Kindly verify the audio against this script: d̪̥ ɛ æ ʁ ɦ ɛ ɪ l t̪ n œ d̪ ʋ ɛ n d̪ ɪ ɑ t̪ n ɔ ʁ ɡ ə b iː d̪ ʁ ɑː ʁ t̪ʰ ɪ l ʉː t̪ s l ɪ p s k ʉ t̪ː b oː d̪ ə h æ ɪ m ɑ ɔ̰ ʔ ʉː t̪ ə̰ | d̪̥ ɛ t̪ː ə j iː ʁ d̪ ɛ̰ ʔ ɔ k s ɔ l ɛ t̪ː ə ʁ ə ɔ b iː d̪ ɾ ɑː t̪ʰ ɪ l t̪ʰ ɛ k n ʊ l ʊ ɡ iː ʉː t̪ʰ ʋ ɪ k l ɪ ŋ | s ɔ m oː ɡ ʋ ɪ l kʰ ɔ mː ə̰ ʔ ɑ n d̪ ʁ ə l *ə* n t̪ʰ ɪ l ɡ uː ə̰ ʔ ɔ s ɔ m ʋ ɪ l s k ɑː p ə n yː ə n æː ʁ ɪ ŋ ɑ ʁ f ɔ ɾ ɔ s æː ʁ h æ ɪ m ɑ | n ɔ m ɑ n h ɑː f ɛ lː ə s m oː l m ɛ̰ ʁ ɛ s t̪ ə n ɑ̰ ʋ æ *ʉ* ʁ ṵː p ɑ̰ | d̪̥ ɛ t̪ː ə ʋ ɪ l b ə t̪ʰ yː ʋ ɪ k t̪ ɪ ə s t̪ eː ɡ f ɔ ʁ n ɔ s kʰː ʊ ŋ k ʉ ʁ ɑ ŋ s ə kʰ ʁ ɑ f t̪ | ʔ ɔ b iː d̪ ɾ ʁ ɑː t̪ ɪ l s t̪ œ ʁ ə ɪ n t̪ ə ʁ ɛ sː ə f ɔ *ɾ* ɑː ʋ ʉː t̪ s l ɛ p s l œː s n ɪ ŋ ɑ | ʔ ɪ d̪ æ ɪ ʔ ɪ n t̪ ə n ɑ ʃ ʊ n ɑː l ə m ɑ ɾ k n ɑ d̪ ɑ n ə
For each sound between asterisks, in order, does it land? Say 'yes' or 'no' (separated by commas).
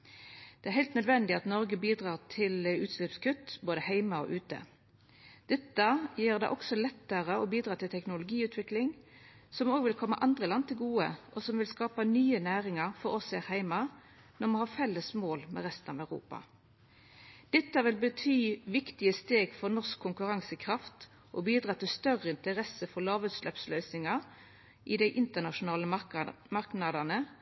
no, yes, no